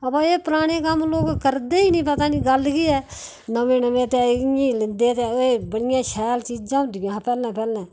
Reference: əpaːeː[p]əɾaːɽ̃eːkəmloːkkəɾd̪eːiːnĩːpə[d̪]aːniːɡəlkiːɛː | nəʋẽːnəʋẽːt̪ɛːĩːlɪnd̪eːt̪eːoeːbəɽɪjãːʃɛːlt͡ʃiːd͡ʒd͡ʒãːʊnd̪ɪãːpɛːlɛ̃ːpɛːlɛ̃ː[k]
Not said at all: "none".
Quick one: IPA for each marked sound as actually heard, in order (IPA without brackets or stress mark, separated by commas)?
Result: p, t̪, none